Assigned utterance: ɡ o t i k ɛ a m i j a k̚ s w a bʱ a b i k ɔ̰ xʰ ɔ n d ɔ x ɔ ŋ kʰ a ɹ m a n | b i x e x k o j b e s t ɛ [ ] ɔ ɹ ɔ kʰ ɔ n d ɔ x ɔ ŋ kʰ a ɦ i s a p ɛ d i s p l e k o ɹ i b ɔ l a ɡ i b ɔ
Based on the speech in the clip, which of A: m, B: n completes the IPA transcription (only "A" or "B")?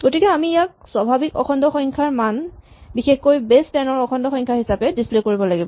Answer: B